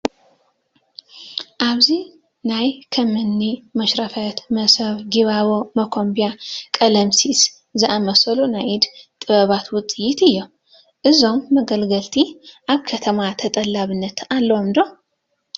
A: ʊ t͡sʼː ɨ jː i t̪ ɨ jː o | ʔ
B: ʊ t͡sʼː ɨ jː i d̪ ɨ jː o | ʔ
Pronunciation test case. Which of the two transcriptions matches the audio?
A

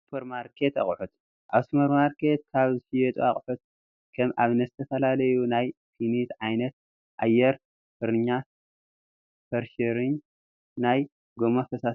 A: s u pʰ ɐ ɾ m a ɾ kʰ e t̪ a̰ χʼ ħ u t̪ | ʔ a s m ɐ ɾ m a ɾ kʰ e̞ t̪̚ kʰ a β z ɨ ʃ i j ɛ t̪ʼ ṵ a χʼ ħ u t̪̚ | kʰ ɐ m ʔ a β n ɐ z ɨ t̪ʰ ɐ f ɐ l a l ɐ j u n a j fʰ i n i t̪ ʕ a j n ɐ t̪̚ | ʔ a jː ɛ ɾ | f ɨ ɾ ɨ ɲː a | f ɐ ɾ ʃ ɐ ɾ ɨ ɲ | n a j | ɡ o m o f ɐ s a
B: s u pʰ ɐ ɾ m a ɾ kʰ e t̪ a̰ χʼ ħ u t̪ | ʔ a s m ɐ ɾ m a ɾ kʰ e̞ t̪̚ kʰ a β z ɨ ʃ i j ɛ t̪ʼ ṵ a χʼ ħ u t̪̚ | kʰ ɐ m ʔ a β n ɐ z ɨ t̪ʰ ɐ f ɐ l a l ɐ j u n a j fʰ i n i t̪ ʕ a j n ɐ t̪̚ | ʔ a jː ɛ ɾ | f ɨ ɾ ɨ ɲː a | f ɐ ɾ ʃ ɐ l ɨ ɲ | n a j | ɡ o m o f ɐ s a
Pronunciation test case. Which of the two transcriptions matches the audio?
A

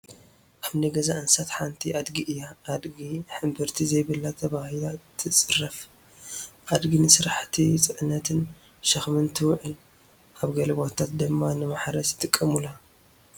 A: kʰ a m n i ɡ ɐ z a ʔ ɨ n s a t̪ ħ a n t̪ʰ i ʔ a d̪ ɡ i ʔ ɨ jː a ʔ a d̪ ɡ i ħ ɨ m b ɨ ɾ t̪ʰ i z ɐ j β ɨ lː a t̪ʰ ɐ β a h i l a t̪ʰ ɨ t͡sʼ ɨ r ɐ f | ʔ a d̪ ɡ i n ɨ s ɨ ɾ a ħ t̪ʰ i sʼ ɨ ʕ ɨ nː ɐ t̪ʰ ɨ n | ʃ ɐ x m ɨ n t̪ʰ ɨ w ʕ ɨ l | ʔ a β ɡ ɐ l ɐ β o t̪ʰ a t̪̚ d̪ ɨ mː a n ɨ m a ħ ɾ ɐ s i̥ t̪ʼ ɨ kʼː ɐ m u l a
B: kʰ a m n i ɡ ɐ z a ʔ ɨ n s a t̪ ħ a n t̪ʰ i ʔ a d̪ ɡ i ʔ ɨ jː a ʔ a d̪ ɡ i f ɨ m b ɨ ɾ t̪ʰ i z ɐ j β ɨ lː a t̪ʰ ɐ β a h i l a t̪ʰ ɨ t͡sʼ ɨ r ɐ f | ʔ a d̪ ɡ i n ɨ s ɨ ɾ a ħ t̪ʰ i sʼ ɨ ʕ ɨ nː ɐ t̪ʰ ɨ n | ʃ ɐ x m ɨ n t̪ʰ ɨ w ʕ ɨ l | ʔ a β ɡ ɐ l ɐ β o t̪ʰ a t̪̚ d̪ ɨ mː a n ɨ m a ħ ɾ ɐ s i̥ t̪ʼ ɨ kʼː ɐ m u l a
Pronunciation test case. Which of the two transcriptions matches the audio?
A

